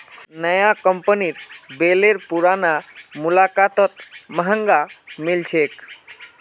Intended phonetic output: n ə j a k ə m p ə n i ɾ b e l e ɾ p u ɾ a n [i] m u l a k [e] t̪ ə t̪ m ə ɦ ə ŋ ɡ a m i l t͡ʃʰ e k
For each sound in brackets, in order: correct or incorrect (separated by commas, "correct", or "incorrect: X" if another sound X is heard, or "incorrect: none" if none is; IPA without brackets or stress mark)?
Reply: incorrect: a, incorrect: a